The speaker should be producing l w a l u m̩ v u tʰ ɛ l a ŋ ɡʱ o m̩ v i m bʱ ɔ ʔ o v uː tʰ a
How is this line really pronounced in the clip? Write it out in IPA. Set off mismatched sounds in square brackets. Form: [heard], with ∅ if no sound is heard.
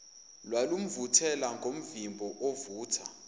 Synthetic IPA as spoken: l w a l u m̩ v u tʰ ɛ l a ŋ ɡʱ o m̩ v i m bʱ ɔ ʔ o v uː tʰ a